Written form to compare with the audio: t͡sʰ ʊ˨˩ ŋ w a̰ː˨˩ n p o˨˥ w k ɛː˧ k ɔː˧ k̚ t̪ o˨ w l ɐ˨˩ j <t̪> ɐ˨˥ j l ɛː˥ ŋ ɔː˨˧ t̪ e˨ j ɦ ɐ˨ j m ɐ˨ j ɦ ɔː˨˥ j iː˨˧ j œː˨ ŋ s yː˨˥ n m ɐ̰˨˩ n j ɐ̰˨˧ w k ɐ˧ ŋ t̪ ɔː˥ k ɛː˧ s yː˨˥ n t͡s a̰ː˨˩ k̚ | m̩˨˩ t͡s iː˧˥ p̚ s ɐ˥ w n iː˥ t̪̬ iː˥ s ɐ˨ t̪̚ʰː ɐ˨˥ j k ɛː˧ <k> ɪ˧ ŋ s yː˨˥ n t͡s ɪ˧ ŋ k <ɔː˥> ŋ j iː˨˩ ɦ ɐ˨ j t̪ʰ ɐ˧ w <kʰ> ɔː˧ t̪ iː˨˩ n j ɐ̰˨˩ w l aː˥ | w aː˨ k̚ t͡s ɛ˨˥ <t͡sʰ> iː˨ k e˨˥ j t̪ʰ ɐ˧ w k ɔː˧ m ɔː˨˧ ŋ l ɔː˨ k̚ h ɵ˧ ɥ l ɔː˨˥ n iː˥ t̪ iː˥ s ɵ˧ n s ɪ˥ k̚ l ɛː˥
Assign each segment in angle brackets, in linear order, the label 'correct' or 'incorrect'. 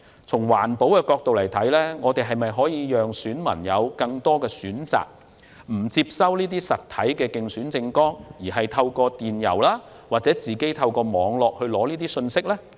incorrect, correct, correct, incorrect, incorrect

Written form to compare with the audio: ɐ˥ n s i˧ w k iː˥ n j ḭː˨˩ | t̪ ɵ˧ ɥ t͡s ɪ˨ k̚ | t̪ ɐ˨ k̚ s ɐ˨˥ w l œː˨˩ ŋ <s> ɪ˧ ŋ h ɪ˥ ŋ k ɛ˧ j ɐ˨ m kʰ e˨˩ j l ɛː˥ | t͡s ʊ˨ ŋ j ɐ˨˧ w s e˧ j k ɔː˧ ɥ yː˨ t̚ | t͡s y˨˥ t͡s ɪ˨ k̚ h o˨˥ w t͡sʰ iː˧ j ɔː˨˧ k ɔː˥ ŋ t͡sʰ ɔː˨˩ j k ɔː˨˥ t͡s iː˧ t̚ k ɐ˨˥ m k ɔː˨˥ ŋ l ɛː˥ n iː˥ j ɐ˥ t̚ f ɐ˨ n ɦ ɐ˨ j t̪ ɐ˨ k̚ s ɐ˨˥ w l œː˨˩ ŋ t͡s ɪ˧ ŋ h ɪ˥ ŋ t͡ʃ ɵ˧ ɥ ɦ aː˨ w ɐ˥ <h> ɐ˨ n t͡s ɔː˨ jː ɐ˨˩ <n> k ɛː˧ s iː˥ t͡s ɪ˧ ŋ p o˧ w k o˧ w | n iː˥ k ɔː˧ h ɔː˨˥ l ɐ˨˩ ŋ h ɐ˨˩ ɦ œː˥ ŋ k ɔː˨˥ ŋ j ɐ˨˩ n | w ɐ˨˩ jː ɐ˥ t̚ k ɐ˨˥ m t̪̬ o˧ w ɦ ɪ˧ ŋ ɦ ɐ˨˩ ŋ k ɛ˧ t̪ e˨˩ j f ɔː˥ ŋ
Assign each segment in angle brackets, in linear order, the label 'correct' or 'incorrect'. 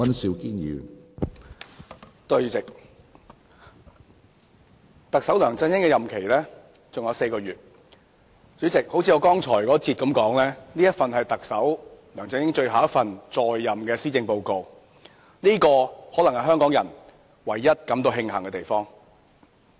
incorrect, incorrect, incorrect

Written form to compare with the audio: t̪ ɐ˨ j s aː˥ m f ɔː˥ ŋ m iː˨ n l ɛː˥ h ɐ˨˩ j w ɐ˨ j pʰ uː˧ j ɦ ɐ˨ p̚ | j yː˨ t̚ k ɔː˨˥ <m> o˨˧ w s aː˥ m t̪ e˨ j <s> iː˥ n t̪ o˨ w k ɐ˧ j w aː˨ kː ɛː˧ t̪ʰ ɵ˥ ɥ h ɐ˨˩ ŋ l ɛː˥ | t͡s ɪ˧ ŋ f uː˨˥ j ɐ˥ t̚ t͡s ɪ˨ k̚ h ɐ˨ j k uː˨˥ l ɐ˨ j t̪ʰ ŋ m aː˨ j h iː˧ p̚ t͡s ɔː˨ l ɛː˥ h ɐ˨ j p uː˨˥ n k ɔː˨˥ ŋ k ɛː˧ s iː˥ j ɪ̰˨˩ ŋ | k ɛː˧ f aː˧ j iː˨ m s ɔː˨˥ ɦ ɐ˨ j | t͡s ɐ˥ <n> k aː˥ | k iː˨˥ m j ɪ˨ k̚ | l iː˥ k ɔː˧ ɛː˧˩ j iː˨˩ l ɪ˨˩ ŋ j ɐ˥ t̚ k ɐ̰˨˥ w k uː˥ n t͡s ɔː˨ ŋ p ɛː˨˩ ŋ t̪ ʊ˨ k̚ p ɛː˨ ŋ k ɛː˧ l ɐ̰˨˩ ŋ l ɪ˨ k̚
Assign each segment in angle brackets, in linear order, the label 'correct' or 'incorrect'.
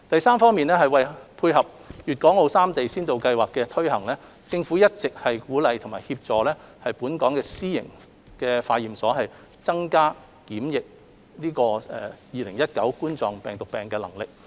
incorrect, correct, incorrect

